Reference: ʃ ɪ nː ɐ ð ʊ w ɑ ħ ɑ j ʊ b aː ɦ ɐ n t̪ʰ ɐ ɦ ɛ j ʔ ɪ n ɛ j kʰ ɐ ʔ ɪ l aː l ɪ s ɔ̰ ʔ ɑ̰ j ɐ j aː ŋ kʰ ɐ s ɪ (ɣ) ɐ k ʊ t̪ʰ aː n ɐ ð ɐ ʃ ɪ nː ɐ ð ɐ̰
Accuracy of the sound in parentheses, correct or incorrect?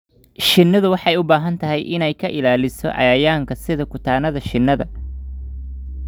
incorrect